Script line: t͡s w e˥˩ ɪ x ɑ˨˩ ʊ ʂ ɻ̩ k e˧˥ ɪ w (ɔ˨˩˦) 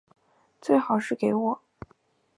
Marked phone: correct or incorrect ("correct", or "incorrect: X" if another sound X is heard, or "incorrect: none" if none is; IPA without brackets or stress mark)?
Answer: correct